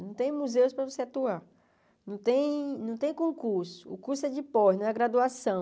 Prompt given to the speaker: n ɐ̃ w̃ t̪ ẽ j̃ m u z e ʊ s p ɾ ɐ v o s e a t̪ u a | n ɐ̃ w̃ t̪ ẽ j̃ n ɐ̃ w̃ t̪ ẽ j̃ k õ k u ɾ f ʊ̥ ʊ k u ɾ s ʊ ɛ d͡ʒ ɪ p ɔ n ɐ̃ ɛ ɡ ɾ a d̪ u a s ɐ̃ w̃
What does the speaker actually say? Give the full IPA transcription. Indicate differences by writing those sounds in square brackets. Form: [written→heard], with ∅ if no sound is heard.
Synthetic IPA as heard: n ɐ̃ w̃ t̪ ẽ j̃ m u z e ʊ s p ɾ ɐ v o s e a t̪ u a | n ɐ̃ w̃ t̪ ẽ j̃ n ɐ̃ w̃ t̪ ẽ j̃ k õ k u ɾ [f→s] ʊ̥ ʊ k u ɾ s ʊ ɛ d͡ʒ ɪ p ɔ n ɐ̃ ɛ ɡ ɾ a d̪ u a s ɐ̃ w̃